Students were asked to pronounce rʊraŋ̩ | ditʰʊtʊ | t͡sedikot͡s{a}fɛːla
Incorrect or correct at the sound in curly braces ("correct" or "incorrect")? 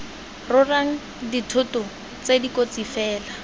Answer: incorrect